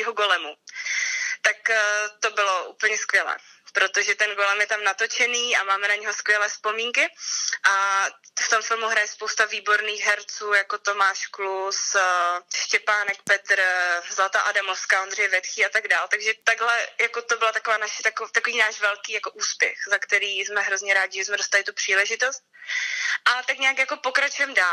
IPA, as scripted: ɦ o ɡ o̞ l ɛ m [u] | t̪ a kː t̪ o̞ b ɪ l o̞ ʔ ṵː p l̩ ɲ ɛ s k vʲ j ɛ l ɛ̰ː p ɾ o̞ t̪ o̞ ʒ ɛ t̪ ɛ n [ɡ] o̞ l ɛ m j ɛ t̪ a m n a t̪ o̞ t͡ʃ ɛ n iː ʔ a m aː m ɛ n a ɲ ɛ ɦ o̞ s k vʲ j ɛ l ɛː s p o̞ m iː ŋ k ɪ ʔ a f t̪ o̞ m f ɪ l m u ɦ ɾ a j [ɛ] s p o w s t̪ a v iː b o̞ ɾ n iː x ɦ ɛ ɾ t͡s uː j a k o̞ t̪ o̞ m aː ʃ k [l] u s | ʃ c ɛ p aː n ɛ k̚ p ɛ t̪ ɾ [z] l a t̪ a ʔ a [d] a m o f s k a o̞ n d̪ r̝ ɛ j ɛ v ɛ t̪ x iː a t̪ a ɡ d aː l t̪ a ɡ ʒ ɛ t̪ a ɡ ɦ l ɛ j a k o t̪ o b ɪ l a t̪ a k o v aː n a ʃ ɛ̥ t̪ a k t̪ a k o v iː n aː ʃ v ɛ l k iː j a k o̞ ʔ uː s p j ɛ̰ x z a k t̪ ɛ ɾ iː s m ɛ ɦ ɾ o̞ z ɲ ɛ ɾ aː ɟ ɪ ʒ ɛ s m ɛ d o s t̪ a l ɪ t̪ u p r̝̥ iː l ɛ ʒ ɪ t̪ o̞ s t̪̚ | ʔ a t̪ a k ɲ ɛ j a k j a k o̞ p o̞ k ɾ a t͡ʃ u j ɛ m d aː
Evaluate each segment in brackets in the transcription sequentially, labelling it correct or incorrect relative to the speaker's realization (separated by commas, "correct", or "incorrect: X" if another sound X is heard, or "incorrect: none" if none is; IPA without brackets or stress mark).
correct, correct, correct, correct, correct, correct